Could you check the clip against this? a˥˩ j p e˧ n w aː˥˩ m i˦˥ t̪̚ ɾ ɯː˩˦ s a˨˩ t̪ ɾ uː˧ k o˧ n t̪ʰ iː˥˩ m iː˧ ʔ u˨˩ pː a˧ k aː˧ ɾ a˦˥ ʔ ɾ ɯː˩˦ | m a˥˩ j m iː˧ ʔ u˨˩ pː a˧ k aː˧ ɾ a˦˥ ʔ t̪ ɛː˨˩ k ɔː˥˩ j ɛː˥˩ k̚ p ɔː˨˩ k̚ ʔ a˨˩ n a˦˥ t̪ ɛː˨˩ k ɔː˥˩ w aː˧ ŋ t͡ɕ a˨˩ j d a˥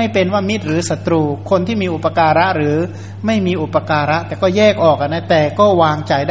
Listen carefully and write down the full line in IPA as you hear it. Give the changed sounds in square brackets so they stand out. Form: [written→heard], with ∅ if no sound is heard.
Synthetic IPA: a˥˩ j p e˧ n w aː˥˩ m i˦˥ t̪̚ ɾ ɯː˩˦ s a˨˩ t̪ ɾ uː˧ [k→kʰ] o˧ n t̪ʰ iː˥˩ m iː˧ ʔ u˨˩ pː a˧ k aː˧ ɾ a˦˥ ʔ ɾ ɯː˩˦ | m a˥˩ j m iː˧ ʔ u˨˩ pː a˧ k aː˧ ɾ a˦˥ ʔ t̪ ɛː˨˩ k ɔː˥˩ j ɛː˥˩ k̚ [p→ʔ] ɔː˨˩ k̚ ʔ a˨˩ n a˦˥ t̪ ɛː˨˩ k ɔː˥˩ w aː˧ ŋ t͡ɕ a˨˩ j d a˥